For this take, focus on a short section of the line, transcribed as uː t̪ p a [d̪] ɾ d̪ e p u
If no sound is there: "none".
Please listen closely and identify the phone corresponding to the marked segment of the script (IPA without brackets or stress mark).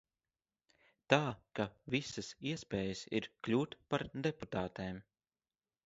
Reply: none